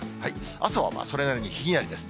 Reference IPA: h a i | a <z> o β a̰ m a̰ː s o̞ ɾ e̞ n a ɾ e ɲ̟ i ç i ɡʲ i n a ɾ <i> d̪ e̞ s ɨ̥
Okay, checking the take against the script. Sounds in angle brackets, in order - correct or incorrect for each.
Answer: incorrect: s, correct

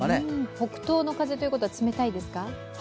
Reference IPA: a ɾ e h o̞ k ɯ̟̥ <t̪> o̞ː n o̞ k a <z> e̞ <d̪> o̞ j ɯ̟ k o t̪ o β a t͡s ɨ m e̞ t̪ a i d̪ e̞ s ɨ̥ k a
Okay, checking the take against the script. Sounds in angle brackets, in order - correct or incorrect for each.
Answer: correct, correct, incorrect: t̪

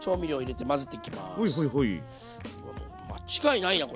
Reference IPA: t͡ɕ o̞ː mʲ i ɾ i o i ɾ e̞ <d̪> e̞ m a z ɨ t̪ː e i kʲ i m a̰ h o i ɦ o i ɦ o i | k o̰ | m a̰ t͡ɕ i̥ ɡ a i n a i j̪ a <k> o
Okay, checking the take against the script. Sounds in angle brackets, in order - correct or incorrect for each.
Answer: incorrect: t̪, correct

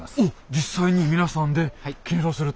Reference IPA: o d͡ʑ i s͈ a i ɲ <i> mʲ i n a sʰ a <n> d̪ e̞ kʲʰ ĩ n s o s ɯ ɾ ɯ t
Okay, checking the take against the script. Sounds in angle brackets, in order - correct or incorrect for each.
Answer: correct, correct

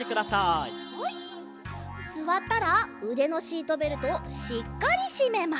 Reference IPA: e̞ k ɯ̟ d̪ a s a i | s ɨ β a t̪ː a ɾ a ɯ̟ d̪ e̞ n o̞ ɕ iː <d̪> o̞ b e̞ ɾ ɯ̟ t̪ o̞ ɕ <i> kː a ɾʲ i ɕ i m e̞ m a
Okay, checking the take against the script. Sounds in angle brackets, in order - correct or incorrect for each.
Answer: incorrect: t̪, correct

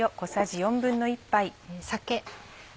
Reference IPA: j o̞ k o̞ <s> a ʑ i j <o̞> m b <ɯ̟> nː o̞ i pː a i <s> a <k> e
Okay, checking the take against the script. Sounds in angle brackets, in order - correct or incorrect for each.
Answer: correct, incorrect: õ̞, incorrect: ɯ̟̃, correct, correct

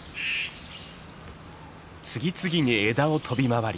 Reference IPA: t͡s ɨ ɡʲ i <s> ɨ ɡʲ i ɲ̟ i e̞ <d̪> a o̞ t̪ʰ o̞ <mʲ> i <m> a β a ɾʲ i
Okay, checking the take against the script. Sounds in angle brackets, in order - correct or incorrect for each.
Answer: incorrect: t͡s, correct, incorrect: bʲ, correct

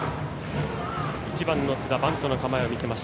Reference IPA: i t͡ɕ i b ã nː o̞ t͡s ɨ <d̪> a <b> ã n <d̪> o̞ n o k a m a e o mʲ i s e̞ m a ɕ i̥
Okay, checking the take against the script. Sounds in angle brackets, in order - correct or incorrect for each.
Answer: correct, correct, incorrect: t̪

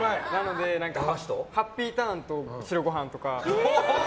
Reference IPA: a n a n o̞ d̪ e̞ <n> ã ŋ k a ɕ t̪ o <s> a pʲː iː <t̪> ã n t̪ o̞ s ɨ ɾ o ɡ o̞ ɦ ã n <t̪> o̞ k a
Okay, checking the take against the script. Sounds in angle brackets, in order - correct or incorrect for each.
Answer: correct, incorrect: h, correct, correct

